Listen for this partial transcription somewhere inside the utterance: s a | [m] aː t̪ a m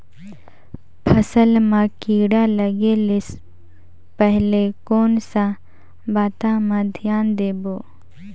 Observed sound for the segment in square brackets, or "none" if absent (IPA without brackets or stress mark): b